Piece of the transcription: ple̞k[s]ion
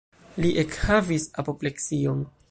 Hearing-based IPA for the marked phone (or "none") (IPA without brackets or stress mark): s